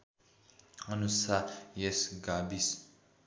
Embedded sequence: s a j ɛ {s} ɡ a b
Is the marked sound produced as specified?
yes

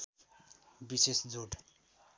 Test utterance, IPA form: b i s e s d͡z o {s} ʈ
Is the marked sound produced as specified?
no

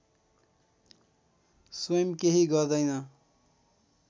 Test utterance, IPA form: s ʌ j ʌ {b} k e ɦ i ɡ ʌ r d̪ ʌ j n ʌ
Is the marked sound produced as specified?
no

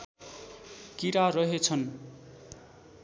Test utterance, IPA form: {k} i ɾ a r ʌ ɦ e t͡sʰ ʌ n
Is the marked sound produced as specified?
yes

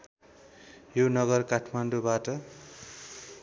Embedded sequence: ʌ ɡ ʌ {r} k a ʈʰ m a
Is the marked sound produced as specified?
yes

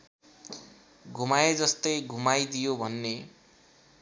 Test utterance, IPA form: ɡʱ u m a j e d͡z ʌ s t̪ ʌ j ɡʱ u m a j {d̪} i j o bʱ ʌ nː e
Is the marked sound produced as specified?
yes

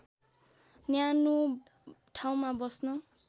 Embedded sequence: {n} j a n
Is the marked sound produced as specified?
yes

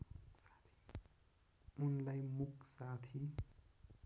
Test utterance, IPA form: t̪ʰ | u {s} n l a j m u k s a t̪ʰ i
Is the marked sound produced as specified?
no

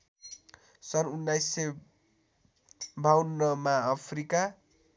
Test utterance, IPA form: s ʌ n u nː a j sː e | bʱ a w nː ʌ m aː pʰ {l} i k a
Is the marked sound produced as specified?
no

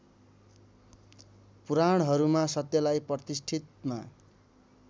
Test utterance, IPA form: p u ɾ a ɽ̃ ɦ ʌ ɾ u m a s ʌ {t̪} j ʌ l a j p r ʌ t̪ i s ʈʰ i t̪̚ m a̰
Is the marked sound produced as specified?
yes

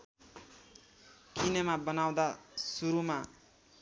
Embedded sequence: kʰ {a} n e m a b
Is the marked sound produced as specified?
no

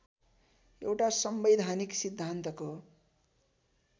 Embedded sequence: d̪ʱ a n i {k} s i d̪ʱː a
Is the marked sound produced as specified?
yes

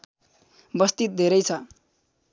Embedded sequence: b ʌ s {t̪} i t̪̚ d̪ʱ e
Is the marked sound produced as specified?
yes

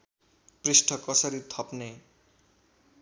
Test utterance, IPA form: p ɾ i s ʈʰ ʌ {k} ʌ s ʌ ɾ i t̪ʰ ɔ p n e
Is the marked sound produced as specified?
yes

